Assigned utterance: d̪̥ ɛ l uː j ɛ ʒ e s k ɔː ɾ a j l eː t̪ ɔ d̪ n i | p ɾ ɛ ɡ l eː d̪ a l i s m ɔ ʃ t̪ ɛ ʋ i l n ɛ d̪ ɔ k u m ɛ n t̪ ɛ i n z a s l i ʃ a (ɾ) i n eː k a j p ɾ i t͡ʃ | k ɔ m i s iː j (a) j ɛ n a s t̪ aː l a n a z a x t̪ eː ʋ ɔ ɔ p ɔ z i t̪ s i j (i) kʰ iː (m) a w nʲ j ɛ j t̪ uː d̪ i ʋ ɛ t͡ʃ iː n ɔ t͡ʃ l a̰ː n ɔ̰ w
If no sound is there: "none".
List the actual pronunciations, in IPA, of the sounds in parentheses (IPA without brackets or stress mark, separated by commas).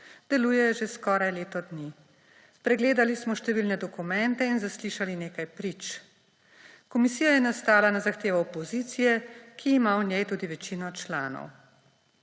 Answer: l, a, ɛ, m